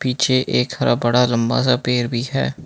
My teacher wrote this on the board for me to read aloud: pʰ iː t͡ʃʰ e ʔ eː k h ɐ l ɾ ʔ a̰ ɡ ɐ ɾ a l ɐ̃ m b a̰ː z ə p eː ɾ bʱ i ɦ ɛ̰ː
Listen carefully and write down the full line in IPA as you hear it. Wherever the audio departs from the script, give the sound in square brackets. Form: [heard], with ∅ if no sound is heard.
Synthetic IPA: [p] iː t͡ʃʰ e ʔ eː k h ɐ [∅] ɾ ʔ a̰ [b] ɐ [ɽ] a l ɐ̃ m b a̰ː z [a] p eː ɾ bʱ i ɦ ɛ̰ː